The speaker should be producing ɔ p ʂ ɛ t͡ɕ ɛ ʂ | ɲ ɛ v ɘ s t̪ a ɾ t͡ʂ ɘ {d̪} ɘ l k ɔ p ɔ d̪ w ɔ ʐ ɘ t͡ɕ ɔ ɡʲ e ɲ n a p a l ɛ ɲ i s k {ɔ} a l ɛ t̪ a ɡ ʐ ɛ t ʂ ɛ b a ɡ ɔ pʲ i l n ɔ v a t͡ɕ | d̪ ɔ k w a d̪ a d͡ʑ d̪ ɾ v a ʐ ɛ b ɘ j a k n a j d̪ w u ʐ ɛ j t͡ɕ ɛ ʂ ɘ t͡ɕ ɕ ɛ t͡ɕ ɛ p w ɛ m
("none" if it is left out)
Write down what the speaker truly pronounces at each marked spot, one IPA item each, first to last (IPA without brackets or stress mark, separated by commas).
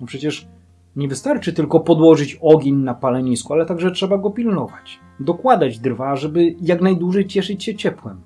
t̪, u